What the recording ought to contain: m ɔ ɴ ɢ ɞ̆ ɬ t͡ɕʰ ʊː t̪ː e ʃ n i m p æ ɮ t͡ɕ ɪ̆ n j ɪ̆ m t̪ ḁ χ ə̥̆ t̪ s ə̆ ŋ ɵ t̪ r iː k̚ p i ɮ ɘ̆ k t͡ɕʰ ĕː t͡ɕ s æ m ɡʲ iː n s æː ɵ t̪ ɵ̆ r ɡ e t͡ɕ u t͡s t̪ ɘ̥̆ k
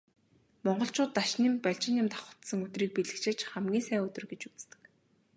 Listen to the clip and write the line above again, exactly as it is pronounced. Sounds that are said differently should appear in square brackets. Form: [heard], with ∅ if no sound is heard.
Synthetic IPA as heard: m ɔ ɴ ɢ ɞ̆ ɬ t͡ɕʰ ʊː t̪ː [a] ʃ n i m p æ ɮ t͡ɕ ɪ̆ n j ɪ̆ m t̪ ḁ χ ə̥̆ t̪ s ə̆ ŋ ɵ t̪ r iː k̚ p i ɮ ɘ̆ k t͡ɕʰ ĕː t͡ɕ [χ] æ m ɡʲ iː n s æː ɵ t̪ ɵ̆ r ɡ e t͡ɕ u t͡s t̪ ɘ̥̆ k